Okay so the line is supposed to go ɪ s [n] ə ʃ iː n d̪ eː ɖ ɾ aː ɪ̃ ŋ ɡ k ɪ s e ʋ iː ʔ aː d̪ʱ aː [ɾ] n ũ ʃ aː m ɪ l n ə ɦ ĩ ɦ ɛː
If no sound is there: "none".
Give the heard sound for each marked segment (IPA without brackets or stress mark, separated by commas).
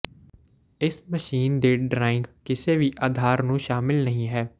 m, ɾ